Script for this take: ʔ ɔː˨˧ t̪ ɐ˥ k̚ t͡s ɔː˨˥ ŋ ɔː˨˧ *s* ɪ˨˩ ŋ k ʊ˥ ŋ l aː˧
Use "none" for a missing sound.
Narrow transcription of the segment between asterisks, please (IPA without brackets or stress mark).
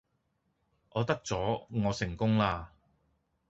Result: s